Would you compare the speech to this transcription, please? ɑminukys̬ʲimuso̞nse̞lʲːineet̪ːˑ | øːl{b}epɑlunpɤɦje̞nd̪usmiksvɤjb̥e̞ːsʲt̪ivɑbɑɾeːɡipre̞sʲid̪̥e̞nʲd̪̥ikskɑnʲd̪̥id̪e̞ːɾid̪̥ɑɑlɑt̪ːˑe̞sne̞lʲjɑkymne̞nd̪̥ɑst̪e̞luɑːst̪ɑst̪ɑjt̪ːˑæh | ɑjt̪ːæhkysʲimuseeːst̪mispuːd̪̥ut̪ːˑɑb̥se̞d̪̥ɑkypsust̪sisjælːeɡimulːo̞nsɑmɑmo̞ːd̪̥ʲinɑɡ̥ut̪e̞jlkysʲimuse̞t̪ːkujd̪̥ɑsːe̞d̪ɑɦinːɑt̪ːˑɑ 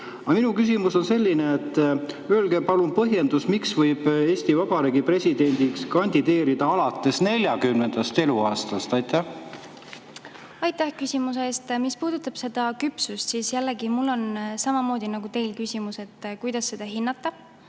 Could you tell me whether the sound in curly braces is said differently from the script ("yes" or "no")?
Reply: yes